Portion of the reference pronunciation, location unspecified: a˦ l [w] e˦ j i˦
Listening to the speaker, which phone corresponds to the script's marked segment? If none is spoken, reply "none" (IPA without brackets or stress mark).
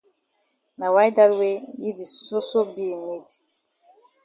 w